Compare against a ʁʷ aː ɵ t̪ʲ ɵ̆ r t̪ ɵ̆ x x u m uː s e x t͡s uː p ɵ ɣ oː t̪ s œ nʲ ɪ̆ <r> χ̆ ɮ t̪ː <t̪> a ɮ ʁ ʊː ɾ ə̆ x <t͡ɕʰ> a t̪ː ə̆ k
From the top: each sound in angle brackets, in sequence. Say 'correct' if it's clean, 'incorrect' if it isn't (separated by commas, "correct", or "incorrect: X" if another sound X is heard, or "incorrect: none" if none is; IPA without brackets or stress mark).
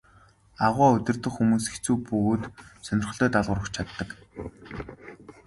correct, correct, correct